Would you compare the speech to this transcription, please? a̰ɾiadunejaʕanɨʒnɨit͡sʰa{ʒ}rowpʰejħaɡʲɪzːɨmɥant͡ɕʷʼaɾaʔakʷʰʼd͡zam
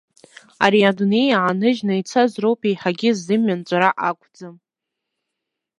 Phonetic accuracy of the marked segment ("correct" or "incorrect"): incorrect